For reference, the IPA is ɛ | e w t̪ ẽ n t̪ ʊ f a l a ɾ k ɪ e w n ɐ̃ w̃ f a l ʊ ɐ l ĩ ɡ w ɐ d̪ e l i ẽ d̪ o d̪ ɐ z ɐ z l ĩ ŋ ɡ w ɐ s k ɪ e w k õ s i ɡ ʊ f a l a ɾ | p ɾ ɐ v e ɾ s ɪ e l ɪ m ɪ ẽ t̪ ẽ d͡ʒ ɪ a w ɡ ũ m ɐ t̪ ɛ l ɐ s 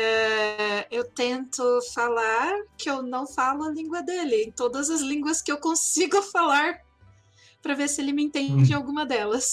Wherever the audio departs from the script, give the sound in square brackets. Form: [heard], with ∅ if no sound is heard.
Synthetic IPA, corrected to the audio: ɛ | e w t̪ ẽ n t̪ ʊ f a l a ɾ k ɪ e w n ɐ̃ w̃ f a l ʊ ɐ l ĩ ɡ w ɐ d̪ e l [ɪ] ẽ [t̪] o d̪ ɐ z ɐ z l ĩ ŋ ɡ w ɐ s k ɪ e w k õ s i ɡ ʊ f a l a ɾ | p ɾ ɐ v e ɾ s ɪ e l ɪ m ɪ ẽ t̪ ẽ d͡ʒ ɪ a w ɡ ũ m ɐ [d̪] ɛ l ɐ s